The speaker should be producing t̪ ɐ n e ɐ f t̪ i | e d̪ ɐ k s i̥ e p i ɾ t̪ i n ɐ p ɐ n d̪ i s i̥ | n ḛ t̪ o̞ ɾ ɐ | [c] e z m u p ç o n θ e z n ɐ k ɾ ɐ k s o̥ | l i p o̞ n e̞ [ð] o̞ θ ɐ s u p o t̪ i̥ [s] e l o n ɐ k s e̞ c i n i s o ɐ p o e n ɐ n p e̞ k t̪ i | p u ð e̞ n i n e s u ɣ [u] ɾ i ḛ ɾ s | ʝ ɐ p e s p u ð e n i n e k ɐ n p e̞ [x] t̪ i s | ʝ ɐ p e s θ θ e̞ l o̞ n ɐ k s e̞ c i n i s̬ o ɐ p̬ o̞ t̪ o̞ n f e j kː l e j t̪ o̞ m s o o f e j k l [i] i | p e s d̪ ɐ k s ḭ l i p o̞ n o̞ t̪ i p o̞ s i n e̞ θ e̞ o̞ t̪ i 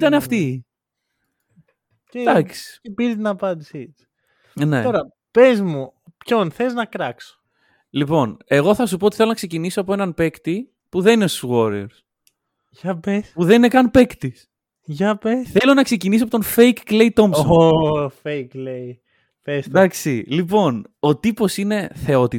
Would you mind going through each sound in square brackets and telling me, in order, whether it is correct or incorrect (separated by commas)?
incorrect, incorrect, incorrect, incorrect, incorrect, incorrect